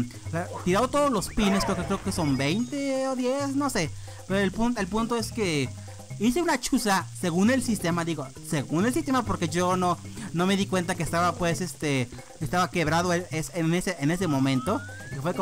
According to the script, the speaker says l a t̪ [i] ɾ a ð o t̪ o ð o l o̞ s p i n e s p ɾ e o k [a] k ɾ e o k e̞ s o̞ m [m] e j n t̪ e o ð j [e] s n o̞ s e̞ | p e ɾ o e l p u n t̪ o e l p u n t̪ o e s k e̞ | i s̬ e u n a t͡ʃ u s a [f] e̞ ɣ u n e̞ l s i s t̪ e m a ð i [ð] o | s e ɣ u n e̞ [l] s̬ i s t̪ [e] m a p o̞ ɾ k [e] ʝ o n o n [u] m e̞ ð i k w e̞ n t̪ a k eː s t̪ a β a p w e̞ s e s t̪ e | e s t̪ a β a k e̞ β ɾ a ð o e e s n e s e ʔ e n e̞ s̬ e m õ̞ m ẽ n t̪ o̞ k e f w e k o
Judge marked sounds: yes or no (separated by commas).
yes, no, no, yes, no, no, yes, yes, yes, no